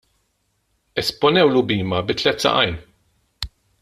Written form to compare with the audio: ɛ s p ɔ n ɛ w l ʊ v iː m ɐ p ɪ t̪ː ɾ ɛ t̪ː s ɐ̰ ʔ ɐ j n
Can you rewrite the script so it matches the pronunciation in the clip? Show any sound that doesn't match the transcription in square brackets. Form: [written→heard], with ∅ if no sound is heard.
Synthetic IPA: ɛ s p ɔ n ɛ w l ʊ [v→b] iː m ɐ [p→b] ɪ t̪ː [ɾ→l] ɛ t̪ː s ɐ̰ ʔ ɐ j n